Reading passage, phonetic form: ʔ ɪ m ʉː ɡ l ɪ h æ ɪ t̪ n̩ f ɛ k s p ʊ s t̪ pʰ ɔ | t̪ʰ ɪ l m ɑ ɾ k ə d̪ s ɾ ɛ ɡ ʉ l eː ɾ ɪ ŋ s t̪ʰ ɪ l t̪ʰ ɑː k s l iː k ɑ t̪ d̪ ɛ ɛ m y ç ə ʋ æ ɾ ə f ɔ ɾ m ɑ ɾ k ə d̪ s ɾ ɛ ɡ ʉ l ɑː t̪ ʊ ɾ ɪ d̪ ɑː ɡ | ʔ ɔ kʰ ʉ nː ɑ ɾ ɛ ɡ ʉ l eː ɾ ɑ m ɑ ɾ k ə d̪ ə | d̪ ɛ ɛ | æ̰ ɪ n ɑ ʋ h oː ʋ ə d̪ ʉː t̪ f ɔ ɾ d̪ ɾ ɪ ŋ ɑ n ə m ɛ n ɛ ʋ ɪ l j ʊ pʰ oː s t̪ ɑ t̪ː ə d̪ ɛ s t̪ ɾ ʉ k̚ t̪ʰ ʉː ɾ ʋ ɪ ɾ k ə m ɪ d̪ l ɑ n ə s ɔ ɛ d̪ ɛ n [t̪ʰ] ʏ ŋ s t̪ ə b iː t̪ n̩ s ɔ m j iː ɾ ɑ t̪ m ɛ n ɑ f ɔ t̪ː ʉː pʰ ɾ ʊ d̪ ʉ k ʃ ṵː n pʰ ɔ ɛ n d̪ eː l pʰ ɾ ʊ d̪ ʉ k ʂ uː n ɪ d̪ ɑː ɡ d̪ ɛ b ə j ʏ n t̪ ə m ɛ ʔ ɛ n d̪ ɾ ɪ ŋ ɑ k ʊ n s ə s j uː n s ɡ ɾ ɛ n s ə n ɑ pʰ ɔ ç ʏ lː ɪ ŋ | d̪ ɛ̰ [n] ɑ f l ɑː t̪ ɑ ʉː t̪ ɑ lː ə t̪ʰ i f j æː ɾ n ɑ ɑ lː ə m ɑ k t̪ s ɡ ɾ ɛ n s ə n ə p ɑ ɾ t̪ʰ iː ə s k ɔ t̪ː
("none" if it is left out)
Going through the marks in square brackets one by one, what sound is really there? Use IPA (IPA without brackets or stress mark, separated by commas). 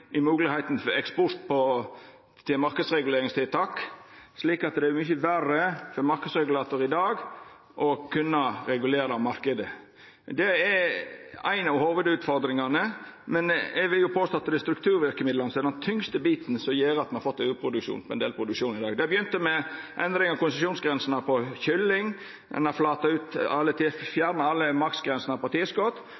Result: t̪ʰ, n